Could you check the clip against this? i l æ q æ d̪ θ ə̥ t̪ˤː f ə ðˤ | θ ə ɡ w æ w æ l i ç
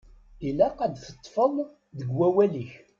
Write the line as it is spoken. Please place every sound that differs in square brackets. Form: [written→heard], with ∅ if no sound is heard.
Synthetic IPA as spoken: i l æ q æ d̪ θ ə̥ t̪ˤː f ə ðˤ | [θ→ð] ə ɡ w æ w æ l i ç